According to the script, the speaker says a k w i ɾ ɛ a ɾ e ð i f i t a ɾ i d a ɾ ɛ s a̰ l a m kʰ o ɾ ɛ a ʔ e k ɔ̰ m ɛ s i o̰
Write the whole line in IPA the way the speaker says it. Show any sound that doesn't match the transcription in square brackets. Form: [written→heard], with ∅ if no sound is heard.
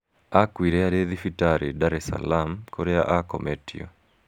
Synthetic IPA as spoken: a k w i ɾ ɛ a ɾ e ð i f i t a ɾ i d a ɾ ɛ s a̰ l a m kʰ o ɾ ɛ a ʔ [e→a] k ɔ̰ m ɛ [s→t] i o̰